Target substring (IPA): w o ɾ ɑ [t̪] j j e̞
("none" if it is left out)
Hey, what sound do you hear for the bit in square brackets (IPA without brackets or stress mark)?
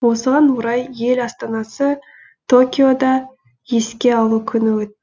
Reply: none